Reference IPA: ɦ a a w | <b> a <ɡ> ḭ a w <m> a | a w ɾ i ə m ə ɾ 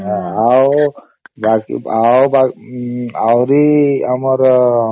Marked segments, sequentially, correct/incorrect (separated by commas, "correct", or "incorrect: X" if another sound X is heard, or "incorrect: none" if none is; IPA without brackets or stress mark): correct, incorrect: k, incorrect: b